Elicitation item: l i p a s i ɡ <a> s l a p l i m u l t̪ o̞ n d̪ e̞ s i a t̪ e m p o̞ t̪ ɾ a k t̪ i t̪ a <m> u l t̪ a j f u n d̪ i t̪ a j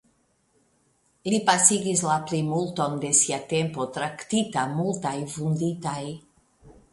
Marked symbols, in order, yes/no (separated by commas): no, yes